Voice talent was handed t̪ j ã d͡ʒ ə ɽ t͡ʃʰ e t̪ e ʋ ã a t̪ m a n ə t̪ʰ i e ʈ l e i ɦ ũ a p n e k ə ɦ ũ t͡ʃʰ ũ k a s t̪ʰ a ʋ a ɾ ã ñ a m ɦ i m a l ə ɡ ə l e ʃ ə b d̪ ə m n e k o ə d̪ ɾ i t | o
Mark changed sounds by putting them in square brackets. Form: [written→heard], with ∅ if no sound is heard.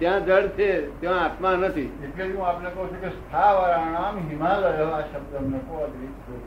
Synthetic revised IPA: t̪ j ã d͡ʒ ə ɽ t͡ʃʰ e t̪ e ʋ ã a t̪ m a n ə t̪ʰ i e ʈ l e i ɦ ũ a p n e k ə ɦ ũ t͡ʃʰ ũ k [a→e] s t̪ʰ a ʋ a ɾ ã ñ a m ɦ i m a l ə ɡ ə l [e→a] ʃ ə b d̪ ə m n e k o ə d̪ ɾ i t | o